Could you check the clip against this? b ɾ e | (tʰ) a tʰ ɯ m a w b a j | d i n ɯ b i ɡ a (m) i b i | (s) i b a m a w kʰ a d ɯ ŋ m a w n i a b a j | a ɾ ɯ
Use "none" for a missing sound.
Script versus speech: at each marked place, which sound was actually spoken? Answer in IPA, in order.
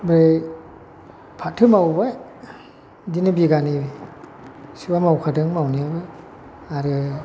pʰ, n, s

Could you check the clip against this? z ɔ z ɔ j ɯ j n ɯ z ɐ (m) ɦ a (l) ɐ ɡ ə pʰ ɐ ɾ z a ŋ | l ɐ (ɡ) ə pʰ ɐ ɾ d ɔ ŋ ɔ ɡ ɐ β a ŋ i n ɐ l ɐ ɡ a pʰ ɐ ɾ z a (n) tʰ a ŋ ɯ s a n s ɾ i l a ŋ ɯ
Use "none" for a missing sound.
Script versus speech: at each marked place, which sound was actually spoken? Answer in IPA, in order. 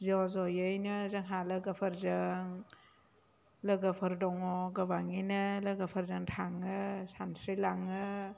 ŋ, l, ɡ, ŋ

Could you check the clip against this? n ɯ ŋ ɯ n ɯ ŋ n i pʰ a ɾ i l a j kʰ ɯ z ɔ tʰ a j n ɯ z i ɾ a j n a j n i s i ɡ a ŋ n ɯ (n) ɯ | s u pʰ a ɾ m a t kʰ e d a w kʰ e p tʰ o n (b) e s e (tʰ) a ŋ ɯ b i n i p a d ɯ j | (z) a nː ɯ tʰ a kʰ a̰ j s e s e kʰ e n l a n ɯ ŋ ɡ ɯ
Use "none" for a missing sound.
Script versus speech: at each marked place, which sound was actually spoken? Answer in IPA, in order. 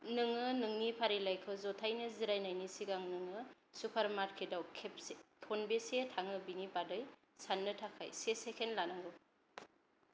ŋ, b, tʰ, s

